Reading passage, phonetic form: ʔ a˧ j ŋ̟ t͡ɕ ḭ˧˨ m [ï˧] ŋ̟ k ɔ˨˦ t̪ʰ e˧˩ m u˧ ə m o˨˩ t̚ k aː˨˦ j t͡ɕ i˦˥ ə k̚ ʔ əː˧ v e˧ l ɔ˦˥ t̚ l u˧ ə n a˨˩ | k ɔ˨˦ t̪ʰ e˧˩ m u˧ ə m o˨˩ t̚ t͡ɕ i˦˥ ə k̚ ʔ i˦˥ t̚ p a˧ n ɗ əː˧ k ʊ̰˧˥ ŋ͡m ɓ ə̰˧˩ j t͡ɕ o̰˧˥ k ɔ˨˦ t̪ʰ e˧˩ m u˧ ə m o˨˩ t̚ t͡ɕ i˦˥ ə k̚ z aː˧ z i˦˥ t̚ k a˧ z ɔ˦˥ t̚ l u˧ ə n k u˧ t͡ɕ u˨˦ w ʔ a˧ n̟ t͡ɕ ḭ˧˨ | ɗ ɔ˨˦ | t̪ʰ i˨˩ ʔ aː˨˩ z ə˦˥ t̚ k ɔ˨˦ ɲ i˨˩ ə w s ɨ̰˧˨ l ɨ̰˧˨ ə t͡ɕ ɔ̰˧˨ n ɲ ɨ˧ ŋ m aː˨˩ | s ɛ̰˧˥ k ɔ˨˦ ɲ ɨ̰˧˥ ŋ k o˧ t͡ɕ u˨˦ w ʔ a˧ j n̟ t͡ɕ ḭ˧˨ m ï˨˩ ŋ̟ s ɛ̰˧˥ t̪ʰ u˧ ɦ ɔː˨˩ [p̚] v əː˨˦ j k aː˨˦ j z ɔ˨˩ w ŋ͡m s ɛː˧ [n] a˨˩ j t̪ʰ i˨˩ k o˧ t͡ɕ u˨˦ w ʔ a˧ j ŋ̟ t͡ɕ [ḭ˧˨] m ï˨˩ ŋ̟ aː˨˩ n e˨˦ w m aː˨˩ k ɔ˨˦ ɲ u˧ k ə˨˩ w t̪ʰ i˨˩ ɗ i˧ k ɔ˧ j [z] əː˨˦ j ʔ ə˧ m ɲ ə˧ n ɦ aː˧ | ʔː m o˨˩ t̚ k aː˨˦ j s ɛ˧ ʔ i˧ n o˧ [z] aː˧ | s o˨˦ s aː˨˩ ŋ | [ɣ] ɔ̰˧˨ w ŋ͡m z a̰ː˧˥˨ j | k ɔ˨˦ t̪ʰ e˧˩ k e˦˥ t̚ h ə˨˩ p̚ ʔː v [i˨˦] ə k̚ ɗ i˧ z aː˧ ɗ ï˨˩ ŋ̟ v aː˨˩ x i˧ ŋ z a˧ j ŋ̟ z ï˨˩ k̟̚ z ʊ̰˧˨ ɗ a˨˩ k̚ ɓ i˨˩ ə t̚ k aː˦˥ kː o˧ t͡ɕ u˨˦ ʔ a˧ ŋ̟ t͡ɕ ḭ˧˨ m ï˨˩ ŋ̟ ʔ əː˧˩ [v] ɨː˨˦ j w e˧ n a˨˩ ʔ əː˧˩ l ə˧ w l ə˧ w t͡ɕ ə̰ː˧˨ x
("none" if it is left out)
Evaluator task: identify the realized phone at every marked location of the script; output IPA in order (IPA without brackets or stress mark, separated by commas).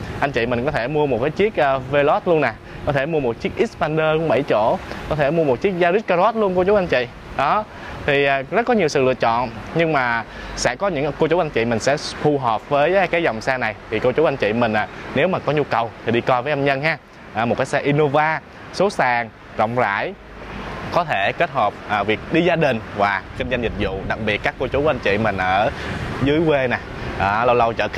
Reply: ï˨˩, p̚, n, ḭ˧˨, v, v, z, i˨˩, z